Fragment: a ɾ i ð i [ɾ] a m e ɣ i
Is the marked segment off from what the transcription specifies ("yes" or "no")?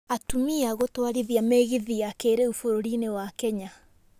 yes